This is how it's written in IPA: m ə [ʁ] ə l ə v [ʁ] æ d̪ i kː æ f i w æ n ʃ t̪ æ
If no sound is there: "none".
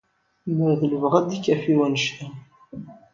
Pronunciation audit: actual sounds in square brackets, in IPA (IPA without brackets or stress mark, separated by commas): ð, ʁ